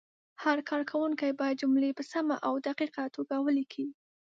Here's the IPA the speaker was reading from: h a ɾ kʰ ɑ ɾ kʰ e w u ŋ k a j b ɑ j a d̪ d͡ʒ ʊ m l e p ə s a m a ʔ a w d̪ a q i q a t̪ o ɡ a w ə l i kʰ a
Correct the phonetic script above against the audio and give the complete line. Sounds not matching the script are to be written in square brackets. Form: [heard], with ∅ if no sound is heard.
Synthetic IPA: h a ɾ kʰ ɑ ɾ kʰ [a] w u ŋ k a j b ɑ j a d̪ d͡ʒ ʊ m l e p ə s a m a ʔ a w d̪ a q i q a t̪ o ɡ a w ə l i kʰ [i]